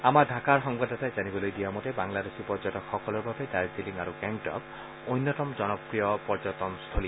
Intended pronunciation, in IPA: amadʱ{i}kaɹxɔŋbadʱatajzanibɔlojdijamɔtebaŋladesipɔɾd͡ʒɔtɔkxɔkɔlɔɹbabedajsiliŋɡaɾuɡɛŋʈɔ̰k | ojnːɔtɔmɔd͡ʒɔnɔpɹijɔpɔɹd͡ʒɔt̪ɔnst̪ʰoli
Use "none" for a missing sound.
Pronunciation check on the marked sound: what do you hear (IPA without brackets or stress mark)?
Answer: a